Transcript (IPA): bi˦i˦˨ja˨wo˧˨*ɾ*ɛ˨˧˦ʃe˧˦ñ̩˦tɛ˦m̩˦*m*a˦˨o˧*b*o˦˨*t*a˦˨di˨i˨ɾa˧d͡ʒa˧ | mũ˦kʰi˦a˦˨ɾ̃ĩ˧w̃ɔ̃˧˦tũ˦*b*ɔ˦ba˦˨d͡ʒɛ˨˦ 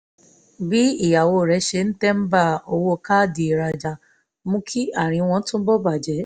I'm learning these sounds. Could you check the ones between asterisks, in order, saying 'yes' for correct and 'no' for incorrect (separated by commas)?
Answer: yes, no, no, no, yes